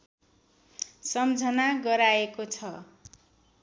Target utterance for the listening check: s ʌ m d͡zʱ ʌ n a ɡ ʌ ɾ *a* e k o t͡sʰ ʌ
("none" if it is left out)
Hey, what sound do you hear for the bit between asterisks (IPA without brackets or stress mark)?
a